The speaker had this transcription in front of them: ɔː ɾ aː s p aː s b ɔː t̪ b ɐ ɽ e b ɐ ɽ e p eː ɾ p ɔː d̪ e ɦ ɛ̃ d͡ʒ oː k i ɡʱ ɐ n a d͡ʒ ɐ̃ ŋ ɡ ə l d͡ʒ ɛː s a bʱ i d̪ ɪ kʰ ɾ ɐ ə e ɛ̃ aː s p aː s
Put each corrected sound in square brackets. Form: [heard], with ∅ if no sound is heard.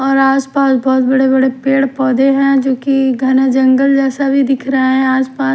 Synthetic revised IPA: ɔː ɾ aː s p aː s b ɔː t̪ b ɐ ɽ e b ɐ ɽ e p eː [ɽ] p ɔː d̪ e ɦ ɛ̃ d͡ʒ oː k i ɡʱ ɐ n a d͡ʒ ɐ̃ ŋ ɡ ə l d͡ʒ ɛː s a bʱ i d̪ ɪ kʰ ɾ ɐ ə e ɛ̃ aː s p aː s